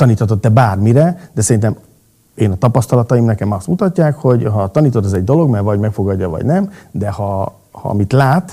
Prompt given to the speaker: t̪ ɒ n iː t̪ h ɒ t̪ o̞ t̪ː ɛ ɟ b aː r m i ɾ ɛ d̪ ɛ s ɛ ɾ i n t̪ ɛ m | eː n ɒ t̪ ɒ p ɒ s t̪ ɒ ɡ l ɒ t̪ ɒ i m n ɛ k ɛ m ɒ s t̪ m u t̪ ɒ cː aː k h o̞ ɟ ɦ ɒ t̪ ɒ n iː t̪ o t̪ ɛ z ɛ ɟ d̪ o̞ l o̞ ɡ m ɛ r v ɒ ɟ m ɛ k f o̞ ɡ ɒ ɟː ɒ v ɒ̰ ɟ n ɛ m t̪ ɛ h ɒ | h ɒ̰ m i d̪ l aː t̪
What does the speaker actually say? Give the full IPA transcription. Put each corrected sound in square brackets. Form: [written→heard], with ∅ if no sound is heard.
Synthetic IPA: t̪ ɒ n iː t̪ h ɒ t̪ o̞ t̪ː ɛ [ɟ→∅] b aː r m i ɾ ɛ d̪ ɛ s ɛ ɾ i n t̪ ɛ m | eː n ɒ t̪ ɒ p ɒ s t̪ ɒ [ɡ→∅] l ɒ t̪ ɒ i m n ɛ k ɛ m ɒ s t̪ m u t̪ ɒ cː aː k h o̞ ɟ ɦ ɒ t̪ ɒ n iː t̪ o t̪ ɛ z ɛ ɟ d̪ o̞ l o̞ ɡ m ɛ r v ɒ ɟ m ɛ k f o̞ ɡ ɒ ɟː ɒ v ɒ̰ ɟ n ɛ m [t̪→d̪] ɛ h ɒ | h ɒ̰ m i [d̪→t̪] l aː t̪